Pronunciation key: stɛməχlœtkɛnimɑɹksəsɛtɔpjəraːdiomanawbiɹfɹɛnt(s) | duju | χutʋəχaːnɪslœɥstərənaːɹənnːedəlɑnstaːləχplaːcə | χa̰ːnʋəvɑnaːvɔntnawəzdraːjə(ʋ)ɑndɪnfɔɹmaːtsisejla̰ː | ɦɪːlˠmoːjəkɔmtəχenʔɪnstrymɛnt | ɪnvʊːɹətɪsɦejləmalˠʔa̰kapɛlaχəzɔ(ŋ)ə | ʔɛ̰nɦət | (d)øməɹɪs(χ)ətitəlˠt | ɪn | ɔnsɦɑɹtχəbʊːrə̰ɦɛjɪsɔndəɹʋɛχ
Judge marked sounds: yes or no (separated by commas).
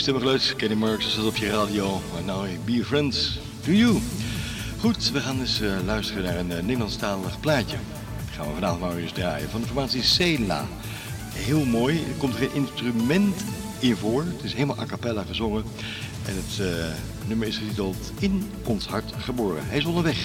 yes, no, yes, no, yes